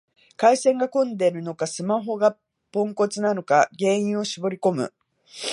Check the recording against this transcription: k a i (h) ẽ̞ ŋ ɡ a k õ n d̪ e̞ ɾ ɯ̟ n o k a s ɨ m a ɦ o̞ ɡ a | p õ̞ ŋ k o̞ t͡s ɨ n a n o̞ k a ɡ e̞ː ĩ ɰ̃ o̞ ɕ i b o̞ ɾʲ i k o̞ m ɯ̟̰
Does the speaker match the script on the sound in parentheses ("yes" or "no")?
no